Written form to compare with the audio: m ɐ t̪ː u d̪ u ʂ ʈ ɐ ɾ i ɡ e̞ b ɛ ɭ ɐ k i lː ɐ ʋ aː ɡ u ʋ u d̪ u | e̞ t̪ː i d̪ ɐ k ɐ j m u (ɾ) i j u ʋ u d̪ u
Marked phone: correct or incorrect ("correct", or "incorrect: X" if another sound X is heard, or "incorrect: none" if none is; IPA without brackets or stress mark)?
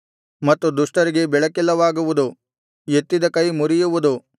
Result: correct